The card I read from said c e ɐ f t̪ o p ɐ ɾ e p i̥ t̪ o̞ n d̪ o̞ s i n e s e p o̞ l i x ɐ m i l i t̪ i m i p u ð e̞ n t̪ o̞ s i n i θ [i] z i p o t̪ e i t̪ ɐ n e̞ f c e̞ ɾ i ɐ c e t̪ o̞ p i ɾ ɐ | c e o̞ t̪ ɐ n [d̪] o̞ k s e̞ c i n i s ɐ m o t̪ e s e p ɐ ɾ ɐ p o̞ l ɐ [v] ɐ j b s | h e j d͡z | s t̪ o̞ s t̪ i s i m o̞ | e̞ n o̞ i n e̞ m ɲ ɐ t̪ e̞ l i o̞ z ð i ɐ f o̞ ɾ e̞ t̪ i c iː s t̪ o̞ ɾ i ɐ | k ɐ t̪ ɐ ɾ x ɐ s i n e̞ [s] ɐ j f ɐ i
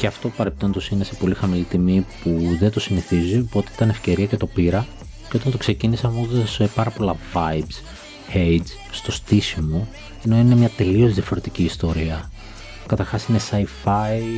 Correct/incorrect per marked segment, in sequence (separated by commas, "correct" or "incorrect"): correct, incorrect, correct, correct